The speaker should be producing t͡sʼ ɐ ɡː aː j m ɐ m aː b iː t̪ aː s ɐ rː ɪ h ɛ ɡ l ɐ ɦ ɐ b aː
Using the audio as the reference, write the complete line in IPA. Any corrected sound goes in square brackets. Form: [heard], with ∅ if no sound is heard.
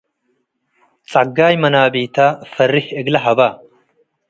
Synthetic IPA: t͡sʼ ɐ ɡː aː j m ɐ [n] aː b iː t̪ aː [f] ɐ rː ɪ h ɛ ɡ l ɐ ɦ ɐ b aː